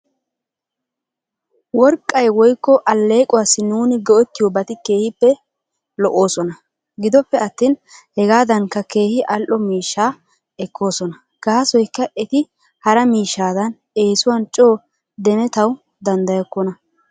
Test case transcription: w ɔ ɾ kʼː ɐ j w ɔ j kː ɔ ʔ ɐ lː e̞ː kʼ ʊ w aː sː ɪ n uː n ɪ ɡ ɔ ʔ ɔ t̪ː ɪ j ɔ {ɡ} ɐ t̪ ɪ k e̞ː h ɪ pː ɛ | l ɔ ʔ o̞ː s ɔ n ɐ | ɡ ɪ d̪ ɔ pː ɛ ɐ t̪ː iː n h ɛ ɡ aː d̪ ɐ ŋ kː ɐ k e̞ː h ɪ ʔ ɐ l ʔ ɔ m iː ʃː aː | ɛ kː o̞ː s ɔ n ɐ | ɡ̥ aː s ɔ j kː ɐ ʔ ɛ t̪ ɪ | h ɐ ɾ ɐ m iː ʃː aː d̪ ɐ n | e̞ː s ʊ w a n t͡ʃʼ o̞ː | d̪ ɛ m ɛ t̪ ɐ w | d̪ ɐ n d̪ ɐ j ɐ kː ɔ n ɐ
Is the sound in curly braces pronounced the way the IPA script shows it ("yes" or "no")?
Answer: no